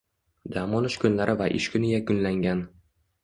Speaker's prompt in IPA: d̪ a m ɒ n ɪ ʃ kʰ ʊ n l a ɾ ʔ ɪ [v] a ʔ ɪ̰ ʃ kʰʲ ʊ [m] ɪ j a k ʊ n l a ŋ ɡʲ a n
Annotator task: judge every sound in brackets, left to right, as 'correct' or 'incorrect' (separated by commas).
correct, incorrect